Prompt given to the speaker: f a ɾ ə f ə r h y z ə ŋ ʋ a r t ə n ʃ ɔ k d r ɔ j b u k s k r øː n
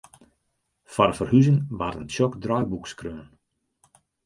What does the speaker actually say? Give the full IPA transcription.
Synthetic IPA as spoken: f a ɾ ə f ə r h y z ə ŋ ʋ a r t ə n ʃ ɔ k d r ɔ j b u k s k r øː n